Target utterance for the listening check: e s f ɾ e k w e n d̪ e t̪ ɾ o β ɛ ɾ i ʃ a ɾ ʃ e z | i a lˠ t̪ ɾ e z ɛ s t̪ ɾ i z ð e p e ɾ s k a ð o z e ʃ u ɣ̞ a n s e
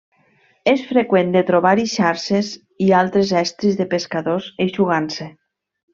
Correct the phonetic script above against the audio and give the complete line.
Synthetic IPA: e s f ɾ e k w e n d̪ e t̪ ɾ o β a ɾ i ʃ a ɾ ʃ e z | i a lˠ t̪ ɾ e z ɛ s t̪ ɾ i z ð e p e s k a ð o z e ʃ u ɣ̞ a n s e